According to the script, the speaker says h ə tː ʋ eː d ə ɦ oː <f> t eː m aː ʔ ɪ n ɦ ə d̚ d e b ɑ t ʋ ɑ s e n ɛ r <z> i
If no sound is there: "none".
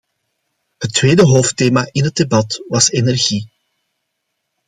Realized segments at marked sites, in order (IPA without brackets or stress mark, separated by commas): f, ɣ